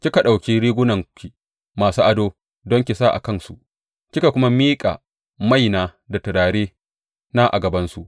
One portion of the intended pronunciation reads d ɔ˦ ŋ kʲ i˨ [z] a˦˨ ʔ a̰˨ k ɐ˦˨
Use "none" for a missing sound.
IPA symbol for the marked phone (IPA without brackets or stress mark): s